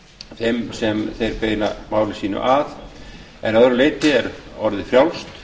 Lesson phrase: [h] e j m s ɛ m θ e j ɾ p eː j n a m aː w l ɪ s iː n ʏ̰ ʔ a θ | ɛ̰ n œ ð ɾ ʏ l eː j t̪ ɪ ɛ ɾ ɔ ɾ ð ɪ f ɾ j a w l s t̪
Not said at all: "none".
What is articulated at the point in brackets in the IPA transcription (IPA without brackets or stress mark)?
θ